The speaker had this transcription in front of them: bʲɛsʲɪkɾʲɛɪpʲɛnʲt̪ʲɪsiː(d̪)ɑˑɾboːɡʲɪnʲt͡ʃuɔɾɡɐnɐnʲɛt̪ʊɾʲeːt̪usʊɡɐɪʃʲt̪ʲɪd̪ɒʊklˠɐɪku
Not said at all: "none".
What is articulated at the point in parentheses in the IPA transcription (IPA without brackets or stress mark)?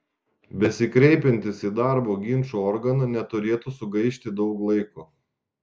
d̪